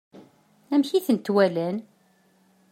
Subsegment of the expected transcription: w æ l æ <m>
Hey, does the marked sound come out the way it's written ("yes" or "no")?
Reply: no